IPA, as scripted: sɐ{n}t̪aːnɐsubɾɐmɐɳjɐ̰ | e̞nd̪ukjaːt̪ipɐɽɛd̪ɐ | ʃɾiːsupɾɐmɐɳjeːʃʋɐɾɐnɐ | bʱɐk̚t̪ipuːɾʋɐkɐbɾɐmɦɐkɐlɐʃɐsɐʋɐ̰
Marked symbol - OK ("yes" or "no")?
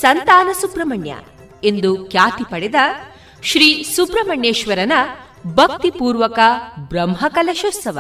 yes